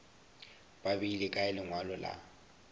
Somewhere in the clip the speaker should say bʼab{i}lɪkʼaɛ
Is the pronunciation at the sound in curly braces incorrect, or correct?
correct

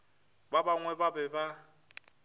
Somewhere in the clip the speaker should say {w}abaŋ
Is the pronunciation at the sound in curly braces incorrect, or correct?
incorrect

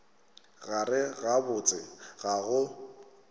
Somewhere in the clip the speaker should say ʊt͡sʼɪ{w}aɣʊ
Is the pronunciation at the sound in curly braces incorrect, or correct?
incorrect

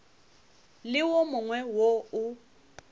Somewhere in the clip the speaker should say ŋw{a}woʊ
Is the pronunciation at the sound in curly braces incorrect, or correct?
incorrect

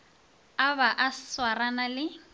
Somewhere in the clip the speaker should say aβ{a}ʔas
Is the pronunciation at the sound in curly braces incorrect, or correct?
correct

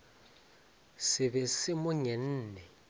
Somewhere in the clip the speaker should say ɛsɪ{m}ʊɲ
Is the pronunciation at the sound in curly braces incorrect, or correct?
correct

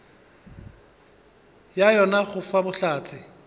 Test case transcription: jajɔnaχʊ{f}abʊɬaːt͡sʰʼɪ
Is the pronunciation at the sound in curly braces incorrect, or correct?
correct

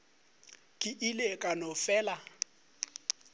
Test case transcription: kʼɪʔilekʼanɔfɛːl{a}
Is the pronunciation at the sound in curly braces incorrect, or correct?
correct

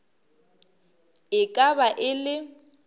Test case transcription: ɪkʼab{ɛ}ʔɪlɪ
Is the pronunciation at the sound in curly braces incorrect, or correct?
incorrect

